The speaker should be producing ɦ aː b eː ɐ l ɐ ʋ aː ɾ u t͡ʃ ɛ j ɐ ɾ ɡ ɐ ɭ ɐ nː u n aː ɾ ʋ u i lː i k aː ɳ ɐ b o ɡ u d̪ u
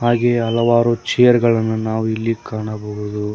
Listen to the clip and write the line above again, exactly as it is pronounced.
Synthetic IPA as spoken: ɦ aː ɡ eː ɐ l ɐ ʋ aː ɾ u t͡ʃ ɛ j ɐ ɾ ɡ ɐ ɭ ɐ nː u n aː ʋ u i lː i k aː ɳ ɐ b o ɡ u d̪ u